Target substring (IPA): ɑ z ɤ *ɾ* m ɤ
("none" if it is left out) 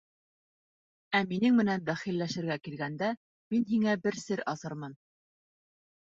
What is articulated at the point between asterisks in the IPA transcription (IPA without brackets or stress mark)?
ɾ